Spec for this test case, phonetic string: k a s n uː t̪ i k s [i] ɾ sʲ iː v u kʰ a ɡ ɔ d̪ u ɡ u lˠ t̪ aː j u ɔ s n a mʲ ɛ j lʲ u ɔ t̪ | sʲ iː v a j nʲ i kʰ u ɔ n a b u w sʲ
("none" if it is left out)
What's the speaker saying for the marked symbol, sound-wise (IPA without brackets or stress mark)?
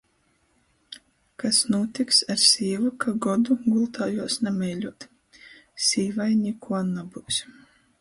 a